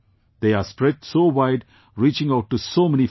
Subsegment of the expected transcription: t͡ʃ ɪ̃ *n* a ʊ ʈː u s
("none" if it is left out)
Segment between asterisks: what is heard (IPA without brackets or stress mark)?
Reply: ŋ